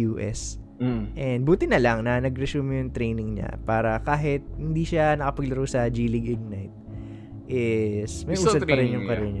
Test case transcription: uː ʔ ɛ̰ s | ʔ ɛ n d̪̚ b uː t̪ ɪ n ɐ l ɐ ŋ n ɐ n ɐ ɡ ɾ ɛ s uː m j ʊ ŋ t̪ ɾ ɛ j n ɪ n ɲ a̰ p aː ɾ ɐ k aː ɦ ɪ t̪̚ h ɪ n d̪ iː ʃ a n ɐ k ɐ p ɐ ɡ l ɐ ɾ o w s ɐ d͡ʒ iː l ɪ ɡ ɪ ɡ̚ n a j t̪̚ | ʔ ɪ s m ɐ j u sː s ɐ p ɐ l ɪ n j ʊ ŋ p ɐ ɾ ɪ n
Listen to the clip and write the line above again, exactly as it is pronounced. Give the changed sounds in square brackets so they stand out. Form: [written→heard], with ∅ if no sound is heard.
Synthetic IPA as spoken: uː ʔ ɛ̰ s | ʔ ɛ n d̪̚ b uː t̪ ɪ n ɐ l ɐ ŋ n ɐ n ɐ ɡ ɾ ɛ s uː m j ʊ ŋ t̪ ɾ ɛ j n ɪ [n→ŋ] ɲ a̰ p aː ɾ ɐ k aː ɦ ɪ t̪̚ h ɪ n d̪ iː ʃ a n ɐ k ɐ p ɐ ɡ l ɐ ɾ o w s ɐ d͡ʒ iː l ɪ ɡ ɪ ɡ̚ n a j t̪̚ | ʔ ɪ s m ɐ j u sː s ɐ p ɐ [l→ɾ] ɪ n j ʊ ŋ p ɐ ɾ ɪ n